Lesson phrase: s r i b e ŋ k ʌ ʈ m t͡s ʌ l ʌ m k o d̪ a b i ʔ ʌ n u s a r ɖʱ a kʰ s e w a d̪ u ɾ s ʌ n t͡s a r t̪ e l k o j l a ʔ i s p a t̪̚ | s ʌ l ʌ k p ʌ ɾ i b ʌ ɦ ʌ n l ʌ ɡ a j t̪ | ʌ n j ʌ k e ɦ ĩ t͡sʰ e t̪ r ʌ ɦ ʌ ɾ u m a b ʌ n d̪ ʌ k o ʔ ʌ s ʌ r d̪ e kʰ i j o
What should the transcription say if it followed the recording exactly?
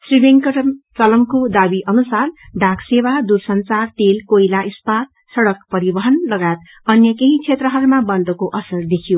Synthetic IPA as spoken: s r i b e ŋ k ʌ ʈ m t͡s ʌ l ʌ m k o d̪ a b i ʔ ʌ n u s a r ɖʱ a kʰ s e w a d̪ u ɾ s ʌ n t͡s a r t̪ e l k o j l a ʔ i s p a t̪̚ | s ʌ ɽ ʌ k p ʌ ɾ i b ʌ ɦ ʌ n l ʌ ɡ a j t̪ | ʌ n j ʌ k e ɦ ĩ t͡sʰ e t̪ r ʌ ɦ ʌ ɾ u m a b ʌ n d̪ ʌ k o ʔ ʌ s ʌ r d̪ e kʰ i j o